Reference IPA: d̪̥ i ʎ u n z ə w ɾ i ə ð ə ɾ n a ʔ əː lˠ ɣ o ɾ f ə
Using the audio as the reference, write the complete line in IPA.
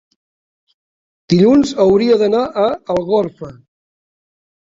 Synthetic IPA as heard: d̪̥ i ʎ u n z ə w ɾ i ə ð ə n a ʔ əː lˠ ɣ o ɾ f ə